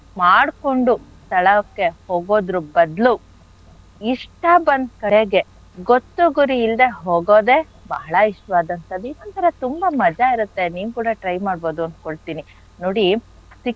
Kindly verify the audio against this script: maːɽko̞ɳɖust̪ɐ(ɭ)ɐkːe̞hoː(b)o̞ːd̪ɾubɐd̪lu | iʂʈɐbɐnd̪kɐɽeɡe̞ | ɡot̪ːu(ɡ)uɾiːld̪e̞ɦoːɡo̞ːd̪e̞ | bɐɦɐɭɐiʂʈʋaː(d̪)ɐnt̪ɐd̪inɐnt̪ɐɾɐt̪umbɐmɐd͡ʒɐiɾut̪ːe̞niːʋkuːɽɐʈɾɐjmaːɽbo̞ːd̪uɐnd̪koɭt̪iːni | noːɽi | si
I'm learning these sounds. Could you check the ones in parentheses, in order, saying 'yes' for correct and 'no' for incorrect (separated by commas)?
yes, no, yes, yes